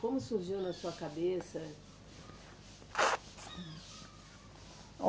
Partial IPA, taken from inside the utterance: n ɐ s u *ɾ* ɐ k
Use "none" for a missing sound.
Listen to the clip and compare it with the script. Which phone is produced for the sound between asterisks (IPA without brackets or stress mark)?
none